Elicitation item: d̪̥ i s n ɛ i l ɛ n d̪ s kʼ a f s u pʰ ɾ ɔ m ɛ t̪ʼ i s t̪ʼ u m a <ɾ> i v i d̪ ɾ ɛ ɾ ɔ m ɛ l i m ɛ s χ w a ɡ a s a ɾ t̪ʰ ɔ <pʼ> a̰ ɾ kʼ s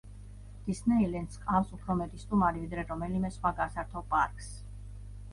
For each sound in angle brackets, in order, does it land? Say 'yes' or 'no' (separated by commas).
yes, yes